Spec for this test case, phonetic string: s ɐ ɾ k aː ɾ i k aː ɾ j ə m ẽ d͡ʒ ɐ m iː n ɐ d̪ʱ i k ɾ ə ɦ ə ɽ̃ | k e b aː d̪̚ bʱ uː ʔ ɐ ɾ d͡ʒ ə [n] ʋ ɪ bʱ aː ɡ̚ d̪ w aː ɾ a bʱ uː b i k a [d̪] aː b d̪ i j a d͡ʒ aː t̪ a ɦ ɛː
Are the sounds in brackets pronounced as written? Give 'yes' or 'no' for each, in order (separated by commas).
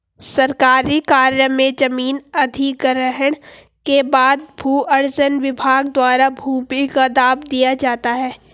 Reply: yes, yes